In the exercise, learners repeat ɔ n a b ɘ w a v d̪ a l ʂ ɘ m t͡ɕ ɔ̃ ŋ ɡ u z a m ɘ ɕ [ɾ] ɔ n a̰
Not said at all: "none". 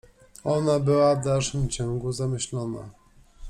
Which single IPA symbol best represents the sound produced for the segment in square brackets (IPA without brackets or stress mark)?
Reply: l